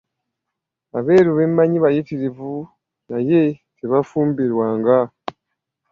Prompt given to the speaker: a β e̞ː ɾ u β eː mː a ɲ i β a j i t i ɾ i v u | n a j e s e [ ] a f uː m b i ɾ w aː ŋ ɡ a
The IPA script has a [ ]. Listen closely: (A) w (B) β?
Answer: B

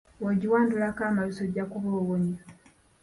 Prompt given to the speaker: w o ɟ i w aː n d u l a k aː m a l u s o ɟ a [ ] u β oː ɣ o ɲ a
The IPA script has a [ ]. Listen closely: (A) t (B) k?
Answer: B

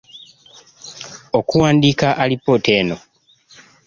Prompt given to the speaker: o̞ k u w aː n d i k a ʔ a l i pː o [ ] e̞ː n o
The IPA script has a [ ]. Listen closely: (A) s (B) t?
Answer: B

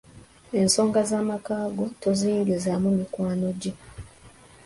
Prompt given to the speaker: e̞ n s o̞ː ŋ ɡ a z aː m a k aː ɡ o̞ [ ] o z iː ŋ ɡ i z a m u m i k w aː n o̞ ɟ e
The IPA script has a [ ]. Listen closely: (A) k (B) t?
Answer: B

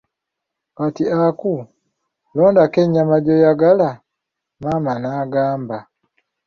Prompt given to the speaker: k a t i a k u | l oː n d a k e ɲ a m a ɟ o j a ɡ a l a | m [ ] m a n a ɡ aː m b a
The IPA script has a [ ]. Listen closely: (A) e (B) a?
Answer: B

